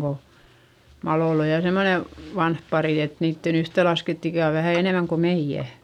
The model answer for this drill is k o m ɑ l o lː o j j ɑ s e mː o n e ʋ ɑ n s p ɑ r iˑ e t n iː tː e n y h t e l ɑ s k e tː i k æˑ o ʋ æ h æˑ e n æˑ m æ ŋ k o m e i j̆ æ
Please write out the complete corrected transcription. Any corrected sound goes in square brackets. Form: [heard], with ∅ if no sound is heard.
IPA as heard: k o m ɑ l o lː o j j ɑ s e mː o n e ʋ ɑ n [h] p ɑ r iˑ e t n iː tː e n y h t e l ɑ s k e tː i k æˑ o ʋ æ h æˑ e n [eˑ] m æ ŋ k o m e i j̆ æ